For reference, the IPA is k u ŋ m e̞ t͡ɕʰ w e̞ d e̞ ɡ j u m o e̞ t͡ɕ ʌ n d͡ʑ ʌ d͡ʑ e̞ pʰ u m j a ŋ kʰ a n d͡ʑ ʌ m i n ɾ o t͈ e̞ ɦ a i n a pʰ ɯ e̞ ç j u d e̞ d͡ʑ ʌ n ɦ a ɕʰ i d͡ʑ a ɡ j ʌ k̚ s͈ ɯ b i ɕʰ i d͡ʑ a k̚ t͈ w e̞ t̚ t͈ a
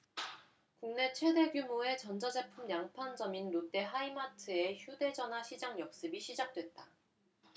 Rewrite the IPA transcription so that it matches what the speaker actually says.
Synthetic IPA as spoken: k u ŋ n e̞ t͡ɕʰ w e̞ d e̞ ɡ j u m o e̞ t͡ɕ ʌ n d͡ʑ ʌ d͡ʑ e̞ pʰ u m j a ŋ pʰ a n d͡ʑ ʌ m i n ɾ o t͈ e̞ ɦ a i m a tʰ ɯ e̞ ç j u d e̞ d͡ʑ ʌ n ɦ a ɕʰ i d͡ʑ a ŋ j ʌ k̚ s͈ ɯ b i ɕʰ i d͡ʑ a k̚ t͈ w e̞ t̚ t͈ a